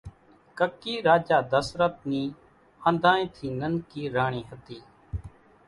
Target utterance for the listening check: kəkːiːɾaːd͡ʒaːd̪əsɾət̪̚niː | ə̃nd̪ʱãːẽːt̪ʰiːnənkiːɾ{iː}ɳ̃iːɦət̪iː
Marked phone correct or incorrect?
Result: incorrect